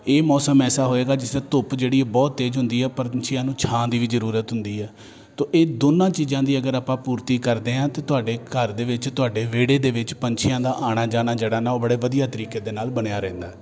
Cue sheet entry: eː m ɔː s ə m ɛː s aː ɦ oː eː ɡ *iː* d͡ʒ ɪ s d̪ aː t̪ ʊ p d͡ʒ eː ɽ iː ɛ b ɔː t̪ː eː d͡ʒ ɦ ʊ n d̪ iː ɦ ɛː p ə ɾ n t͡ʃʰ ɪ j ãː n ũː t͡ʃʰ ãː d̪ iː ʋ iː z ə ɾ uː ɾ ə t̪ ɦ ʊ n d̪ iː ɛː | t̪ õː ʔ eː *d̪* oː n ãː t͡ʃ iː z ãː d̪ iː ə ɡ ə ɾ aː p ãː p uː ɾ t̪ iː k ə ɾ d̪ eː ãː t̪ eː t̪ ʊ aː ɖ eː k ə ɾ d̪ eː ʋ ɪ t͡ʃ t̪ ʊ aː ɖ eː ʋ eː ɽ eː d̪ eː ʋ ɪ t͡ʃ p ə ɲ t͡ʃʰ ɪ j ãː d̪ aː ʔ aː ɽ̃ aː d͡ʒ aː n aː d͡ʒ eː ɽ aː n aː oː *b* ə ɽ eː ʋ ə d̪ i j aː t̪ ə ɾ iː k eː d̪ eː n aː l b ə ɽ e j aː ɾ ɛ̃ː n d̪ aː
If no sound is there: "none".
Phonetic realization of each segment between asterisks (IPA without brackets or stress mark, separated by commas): aː, d̪, b